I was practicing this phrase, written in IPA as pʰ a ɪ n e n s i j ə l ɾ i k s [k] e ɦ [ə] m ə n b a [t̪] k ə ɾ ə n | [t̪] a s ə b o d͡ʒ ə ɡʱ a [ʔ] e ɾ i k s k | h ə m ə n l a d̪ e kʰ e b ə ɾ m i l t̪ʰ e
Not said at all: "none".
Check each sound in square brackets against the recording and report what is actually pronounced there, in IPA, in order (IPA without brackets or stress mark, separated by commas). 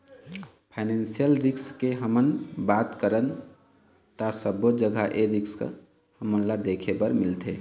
k, ə, t̪, t̪, ʔ